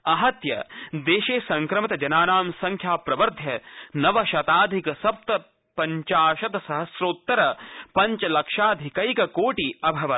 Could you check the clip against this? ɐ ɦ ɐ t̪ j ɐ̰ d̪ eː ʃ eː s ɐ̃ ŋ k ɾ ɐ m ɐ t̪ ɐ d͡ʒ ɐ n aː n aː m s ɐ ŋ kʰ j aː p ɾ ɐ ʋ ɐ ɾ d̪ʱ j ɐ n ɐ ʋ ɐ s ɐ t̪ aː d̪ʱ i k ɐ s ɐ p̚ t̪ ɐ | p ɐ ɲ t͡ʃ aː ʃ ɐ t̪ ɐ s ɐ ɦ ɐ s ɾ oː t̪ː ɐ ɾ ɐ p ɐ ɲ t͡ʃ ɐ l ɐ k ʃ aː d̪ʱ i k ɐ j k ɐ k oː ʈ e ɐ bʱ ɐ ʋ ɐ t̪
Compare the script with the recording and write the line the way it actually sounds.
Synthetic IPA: ɐ ɦ ɐ t̪ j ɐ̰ d̪ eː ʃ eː s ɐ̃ ŋ k ɾ ɐ m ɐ t̪ ɐ d͡ʒ ɐ n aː n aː m s ɐ ŋ kʰ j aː p ɾ ɐ ʋ ɐ ɾ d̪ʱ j ɐ n ɐ ʋ ɐ ʃ ɐ t̪ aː d̪ʱ i k ɐ s ɐ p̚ t̪ ɐ | p ɐ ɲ t͡ʃ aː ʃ ɐ t̪ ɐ s ɐ ɦ ɐ s ɾ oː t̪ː ɐ ɾ ɐ p ɐ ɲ t͡ʃ ɐ l ɐ k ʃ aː d̪ʱ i k ɐ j k ɐ k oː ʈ i ɐ bʱ ɐ ʋ ɐ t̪